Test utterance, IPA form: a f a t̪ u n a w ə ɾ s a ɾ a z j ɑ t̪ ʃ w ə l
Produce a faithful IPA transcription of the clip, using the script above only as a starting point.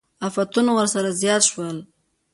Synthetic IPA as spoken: a f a t̪ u n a w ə ɾ s a ɾ a z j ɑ t̪ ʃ w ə l

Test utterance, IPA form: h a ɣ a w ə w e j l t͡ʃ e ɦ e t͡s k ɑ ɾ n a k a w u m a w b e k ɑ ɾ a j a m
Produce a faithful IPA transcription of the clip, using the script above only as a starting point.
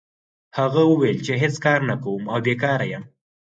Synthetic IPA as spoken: h a ɣ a w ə w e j l t͡ʃ e ɦ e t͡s k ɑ ɾ n a k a w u m a w b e k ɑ ɾ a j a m

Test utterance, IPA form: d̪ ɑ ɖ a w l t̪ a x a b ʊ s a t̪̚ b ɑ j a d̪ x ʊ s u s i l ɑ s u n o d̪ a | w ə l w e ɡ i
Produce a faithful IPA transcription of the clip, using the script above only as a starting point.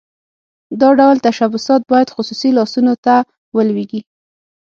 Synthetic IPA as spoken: d̪ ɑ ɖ a w l t̪ a ʃ a b ʊ s ɑ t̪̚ b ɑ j a d̪ x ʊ s u s i l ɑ s u n o t̪ a | w ə l w e ɡ i

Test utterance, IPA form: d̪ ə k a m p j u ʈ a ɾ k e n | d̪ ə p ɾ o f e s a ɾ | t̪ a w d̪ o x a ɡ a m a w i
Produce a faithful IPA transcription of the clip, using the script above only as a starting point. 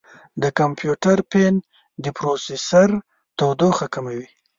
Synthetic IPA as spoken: d̪ ə k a m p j u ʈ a ɾ p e n | d̪ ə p ɾ o s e s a ɾ | t̪ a w d̪ o x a k a m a w i

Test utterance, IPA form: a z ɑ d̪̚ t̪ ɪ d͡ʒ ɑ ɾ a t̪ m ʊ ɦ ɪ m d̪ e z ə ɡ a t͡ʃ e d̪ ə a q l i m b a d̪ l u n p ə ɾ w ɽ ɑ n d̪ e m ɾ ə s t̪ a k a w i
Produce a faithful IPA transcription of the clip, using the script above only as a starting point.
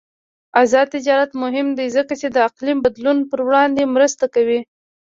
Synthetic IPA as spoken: a z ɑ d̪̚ t̪ ɪ d͡ʒ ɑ ɾ a t̪ m ʊ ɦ ɪ m d̪ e z ə k a t͡ʃ e d̪ ə a q l i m b a d̪ l u n p ə ɾ w ɽ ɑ n d̪ e m ɾ ə s t̪ a k a w i

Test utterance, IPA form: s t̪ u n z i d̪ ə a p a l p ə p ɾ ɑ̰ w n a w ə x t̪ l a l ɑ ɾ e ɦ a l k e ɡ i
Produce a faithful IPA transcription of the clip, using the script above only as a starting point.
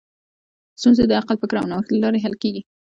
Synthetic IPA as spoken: s t̪ u n z e d̪ ə a q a l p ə k ɾ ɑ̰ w n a w ə x t̪ l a l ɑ ɾ e ɦ a l k e ɡ i

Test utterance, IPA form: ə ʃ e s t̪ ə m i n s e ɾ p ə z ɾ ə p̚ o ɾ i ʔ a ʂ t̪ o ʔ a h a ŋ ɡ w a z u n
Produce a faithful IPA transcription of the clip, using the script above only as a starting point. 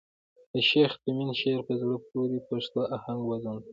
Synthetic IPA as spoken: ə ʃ e x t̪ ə m i n ʃ e ɾ p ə z ɽ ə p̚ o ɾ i p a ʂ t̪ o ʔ a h a ŋ ɡ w a z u n

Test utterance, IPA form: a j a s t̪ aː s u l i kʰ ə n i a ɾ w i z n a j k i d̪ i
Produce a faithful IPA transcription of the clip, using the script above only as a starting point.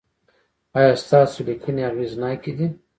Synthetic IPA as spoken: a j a s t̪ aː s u l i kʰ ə n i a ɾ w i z n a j k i d̪ i

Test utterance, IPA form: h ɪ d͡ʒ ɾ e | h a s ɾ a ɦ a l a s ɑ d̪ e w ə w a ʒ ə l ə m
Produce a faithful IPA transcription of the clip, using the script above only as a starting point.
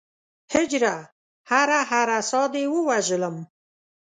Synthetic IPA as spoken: h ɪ d͡ʒ ɾ a | h a ɾ a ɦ a ɾ a s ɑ d̪ e w ə w a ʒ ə l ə m

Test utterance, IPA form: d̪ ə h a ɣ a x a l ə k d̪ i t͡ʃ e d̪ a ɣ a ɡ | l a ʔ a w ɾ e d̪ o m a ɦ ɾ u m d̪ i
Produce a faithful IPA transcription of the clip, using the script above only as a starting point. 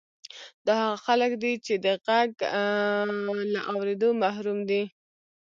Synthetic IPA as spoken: d̪ ɑ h a ɣ a x a l ə k d̪ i t͡ʃ e d̪ ə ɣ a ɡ | l a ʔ a w ɾ e d̪ o m a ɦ ɾ u m d̪ i

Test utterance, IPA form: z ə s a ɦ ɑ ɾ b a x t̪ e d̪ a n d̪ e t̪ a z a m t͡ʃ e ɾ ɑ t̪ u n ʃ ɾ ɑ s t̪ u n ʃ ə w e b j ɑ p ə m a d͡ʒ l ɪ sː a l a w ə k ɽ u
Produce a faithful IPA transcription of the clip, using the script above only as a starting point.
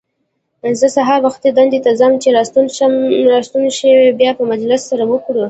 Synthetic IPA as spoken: z ə s a ɦ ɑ ɾ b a x t̪ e d̪ a n d̪ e t̪ a z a m t͡ʃ e ɾ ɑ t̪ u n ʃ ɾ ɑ s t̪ u n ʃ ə w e b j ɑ p ə m a d͡ʒ l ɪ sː a ɾ a w ə k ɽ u

